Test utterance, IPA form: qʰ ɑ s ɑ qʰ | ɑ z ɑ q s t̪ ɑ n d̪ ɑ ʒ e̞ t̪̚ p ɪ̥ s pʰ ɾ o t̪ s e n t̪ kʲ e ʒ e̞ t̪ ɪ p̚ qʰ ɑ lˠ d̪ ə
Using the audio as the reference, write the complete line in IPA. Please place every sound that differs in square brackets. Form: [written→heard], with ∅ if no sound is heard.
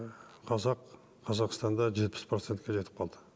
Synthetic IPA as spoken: qʰ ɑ [s→z] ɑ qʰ | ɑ z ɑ q s t̪ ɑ n d̪ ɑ ʒ e̞ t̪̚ p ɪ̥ s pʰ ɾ o t̪ s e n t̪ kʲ e ʒ e̞ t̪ ɪ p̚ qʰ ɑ lˠ d̪ ə

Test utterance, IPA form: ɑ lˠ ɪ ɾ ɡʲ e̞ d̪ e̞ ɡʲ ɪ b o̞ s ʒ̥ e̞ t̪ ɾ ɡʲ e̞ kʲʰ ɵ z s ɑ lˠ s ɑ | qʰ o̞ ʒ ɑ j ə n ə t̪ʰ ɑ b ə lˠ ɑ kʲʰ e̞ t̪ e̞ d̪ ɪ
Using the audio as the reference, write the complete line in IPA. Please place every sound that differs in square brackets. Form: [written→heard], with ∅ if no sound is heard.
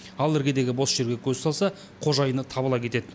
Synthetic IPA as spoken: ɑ lˠ ɪ ɾ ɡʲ e̞ d̪ e̞ ɡʲ ɪ b o̞ s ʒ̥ e̞ [t̪→∅] ɾ ɡʲ e̞ kʲʰ ɵ z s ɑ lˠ s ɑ | qʰ o̞ ʒ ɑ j ə n ə t̪ʰ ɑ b ə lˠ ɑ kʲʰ e̞ t̪ e̞ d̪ ɪ

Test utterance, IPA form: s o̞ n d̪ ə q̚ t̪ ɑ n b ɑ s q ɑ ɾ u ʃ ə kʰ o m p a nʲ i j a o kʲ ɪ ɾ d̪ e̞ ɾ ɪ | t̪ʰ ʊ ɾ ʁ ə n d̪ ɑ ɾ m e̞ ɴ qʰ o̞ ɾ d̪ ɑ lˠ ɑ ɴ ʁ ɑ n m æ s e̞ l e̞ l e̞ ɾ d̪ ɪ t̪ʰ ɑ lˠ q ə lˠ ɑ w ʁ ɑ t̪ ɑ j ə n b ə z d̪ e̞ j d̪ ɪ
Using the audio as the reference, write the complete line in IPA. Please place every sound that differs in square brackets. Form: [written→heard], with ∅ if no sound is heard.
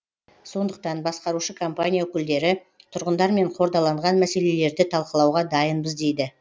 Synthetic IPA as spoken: s o̞ n d̪ ə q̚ t̪ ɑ n b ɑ s q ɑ ɾ u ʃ ə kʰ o m p a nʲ i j a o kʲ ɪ [ɾ→l] d̪ e̞ ɾ ɪ | t̪ʰ ʊ ɾ ʁ ə n d̪ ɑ ɾ m e̞ ɴ qʰ o̞ ɾ d̪ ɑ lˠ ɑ ɴ ʁ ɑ n m æ s e̞ l e̞ l e̞ ɾ d̪ ɪ t̪ʰ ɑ lˠ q ə lˠ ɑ w ʁ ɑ [t̪→d̪] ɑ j ə n b ə z d̪ e̞ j d̪ ɪ

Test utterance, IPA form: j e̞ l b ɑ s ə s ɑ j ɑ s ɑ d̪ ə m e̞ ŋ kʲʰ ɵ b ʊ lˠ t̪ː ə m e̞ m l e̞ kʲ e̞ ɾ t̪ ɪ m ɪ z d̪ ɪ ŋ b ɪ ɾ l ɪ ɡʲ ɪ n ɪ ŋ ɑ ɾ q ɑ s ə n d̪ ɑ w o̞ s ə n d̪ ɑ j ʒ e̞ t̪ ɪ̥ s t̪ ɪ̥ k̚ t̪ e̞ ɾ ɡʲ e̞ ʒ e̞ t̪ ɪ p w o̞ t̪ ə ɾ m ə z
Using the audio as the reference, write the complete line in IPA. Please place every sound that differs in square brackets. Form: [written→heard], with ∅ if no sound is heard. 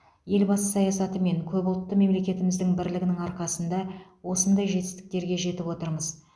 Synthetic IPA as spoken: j e̞ l b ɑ s ə s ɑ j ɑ s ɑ [d̪→t̪] ə m e̞ ŋ kʲʰ ɵ b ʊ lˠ t̪ː ə m e̞ m l e̞ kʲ e̞ [ɾ→∅] t̪ ɪ m ɪ z d̪ ɪ ŋ b ɪ ɾ l ɪ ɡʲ ɪ n ɪ ŋ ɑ ɾ q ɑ s ə n d̪ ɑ w o̞ s ə n d̪ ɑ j ʒ e̞ t̪ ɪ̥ s t̪ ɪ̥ k̚ t̪ e̞ ɾ ɡʲ e̞ ʒ e̞ t̪ ɪ p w o̞ t̪ ə ɾ m ə z

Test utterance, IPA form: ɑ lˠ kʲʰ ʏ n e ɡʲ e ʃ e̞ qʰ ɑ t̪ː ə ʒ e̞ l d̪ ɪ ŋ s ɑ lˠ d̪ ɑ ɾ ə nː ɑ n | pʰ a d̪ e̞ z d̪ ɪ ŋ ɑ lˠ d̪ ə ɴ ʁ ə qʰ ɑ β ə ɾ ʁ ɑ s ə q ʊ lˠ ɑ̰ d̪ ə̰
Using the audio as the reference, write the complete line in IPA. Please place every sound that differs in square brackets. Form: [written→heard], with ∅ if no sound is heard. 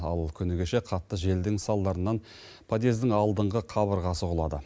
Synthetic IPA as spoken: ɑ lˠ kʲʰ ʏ n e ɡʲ e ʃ e̞ qʰ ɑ t̪ː ə ʒ e̞ l d̪ ɪ ŋ s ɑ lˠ d̪ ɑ ɾ ə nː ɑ n | pʰ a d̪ e̞ z d̪ ɪ ŋ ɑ lˠ d̪ ə ɴ ʁ ə qʰ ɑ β ə ɾ ʁ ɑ s ə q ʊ lˠ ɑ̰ d̪ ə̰

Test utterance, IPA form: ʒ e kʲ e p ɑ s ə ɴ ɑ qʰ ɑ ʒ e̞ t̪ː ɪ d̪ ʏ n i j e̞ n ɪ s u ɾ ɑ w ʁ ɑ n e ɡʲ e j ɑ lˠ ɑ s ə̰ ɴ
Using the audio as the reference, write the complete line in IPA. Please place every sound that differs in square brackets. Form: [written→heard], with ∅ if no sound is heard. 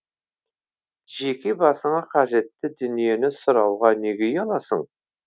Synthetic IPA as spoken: ʒ e kʲ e [p→b] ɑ s ə ɴ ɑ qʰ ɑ ʒ e̞ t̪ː ɪ d̪ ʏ n i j e̞ n ɪ s [u→ʊ] ɾ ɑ w ʁ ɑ n e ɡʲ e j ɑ lˠ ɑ s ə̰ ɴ

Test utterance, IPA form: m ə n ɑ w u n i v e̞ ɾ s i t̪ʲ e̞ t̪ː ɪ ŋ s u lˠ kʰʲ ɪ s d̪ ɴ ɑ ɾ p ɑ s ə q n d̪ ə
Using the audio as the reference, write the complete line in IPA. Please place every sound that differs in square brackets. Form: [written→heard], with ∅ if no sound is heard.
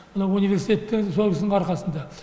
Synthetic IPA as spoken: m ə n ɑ w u n i v e̞ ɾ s i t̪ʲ e̞ t̪ː ɪ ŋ s [u→o] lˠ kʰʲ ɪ s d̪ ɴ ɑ ɾ [p→q] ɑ s ə [q→∅] n d̪ [ə→ɑ]

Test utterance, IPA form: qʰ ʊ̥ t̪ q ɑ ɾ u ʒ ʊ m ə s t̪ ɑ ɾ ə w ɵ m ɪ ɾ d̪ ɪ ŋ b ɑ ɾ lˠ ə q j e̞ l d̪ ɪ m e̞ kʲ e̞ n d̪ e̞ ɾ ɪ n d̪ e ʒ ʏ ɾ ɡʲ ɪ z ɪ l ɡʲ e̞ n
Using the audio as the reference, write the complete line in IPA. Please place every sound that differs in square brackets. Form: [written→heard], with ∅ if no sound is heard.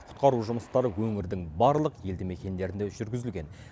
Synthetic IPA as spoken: qʰ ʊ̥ t̪ q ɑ ɾ u ʒ ʊ m ə s t̪ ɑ ɾ ə w ɵ [m→ŋ] ɪ ɾ d̪ ɪ ŋ b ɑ ɾ lˠ ə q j e̞ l d̪ ɪ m e̞ kʲ e̞ n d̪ e̞ ɾ ɪ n d̪ e ʒ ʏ ɾ ɡʲ ɪ z ɪ l ɡʲ e̞ n

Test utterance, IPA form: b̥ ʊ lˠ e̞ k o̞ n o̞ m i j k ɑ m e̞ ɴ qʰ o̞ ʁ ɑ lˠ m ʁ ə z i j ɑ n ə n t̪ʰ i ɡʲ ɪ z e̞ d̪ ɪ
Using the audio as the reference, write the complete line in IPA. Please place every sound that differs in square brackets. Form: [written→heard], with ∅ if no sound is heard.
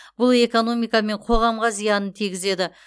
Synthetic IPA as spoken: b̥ ʊ lˠ e̞ k o̞ n o̞ m i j k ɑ m e̞ ɴ qʰ o̞ ʁ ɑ [lˠ→∅] m ʁ [ə→ɑ] z i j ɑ n ə n t̪ʰ i ɡʲ ɪ z e̞ d̪ ɪ

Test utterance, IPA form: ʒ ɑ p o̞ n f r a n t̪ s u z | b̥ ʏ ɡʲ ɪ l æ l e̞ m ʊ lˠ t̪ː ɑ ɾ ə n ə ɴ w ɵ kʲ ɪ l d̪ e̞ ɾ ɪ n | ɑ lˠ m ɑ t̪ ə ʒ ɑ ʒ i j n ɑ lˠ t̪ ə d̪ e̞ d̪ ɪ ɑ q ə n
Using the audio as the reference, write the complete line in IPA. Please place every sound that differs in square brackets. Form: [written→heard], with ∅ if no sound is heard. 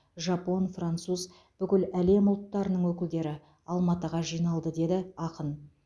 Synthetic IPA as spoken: ʒ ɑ p o̞ n f r a n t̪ s u z | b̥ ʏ [ɡʲ→kʲ] ɪ l æ l e̞ m ʊ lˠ t̪ː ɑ ɾ ə n ə ɴ w ɵ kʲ ɪ l d̪ e̞ ɾ ɪ [n→∅] | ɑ lˠ m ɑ t̪ ə [ʒ→ʁ] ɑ ʒ i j n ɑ lˠ [t̪→d̪] ə d̪ e̞ d̪ ɪ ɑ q ə n

